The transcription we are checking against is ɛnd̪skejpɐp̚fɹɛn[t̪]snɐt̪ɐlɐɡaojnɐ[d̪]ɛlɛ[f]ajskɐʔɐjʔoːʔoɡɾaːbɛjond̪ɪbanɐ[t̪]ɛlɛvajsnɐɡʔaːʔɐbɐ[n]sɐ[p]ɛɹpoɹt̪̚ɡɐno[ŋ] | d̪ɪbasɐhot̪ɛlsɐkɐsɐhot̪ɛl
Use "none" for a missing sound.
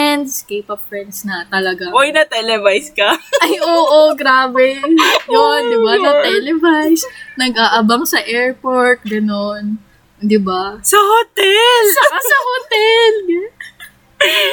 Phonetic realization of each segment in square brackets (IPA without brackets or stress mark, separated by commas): d̪, t̪, v, t̪, ŋ, ʔ, n